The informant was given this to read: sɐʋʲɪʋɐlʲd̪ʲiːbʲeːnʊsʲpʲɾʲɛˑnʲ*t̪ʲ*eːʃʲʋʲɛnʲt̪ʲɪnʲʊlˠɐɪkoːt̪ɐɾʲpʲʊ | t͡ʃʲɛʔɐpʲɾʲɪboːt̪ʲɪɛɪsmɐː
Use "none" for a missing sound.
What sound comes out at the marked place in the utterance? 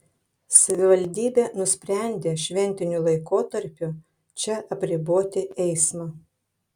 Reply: d̪ʲ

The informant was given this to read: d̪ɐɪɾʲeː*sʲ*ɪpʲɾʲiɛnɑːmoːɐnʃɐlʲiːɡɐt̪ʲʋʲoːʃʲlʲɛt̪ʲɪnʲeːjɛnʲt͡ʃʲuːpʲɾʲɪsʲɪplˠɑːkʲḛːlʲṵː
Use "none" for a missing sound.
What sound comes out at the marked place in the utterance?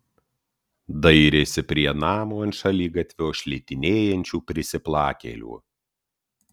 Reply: sʲ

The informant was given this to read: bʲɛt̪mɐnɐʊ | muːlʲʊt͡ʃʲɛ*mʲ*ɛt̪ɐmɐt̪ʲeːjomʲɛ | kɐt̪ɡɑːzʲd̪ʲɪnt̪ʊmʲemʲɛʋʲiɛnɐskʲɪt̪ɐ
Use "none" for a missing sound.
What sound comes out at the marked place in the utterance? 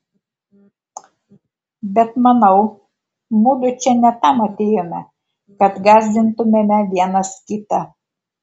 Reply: nʲ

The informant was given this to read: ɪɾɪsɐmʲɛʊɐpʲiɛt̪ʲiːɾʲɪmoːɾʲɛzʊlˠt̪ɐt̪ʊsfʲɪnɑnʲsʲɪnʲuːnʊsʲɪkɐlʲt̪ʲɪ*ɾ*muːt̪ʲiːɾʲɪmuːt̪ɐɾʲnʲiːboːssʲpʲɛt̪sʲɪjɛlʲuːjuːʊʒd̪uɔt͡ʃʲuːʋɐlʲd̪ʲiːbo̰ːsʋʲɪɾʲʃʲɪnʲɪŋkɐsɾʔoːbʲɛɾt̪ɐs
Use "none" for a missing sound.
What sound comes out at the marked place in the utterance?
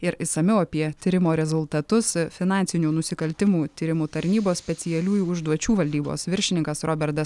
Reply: none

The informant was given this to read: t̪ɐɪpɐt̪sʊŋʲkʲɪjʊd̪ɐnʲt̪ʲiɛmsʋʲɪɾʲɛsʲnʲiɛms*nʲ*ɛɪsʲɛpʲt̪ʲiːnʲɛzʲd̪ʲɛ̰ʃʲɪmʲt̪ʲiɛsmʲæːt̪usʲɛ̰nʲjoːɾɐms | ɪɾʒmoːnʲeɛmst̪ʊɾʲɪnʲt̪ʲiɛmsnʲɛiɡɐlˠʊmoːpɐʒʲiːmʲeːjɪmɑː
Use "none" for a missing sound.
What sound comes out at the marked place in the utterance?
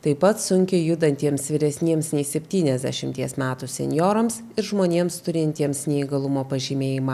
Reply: nʲ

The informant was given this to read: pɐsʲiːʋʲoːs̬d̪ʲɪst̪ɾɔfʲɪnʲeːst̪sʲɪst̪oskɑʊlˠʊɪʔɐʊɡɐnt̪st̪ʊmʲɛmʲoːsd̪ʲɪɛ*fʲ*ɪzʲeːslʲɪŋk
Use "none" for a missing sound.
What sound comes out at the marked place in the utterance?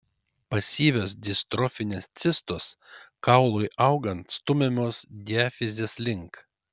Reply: fʲ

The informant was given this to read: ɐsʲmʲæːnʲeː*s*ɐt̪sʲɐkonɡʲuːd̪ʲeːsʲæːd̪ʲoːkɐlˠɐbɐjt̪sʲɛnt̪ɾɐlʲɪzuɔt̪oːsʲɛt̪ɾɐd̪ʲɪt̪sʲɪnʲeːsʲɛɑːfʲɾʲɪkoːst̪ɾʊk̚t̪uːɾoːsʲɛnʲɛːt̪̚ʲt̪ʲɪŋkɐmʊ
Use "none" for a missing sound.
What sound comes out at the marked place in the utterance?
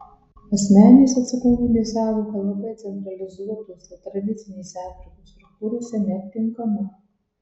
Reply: s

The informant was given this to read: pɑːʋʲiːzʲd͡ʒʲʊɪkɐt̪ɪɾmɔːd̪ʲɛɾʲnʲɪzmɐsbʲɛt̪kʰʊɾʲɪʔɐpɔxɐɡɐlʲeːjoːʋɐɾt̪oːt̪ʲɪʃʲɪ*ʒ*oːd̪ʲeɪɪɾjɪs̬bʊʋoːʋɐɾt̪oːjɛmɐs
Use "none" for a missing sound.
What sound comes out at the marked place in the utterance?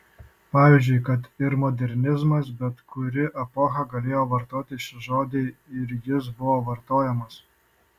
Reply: ʒ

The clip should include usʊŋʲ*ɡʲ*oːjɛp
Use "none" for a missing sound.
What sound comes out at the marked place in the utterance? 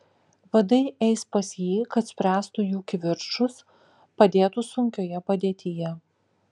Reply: kʲ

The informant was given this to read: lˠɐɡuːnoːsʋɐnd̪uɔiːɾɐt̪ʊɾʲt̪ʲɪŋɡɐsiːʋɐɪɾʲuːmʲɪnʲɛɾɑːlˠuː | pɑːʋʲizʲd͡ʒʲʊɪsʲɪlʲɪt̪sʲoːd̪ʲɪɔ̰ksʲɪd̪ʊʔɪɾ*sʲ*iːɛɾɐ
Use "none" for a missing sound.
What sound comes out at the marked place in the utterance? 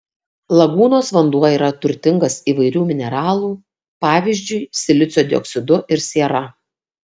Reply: sʲ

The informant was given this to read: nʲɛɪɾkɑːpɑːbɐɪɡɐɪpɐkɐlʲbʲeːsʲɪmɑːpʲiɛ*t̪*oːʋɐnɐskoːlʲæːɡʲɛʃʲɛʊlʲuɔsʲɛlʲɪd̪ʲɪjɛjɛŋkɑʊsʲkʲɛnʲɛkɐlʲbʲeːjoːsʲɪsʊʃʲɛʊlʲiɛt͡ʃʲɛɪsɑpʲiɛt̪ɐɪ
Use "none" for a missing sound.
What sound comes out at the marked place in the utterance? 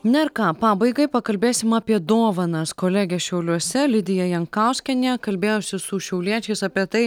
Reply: d̪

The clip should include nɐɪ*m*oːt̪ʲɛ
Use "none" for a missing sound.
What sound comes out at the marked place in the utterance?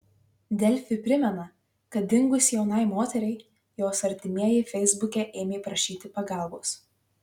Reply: m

